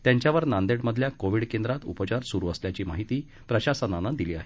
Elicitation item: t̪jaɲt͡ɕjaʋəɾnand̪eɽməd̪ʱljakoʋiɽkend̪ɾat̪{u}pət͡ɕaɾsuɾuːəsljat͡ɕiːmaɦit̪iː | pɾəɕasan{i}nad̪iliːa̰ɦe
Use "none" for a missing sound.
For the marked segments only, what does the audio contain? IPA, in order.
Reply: u, a

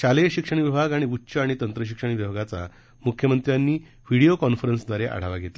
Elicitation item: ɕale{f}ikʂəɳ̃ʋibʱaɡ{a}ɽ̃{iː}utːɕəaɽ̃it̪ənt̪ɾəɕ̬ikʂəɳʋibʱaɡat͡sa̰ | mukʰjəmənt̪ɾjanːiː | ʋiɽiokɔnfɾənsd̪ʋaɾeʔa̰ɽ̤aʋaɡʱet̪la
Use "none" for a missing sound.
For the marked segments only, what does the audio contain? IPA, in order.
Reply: ɕ, a, i

